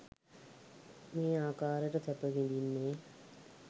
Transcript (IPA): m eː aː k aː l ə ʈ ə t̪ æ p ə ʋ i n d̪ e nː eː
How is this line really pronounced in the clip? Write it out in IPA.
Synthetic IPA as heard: m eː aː k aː ɾ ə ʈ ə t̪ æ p ə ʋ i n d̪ i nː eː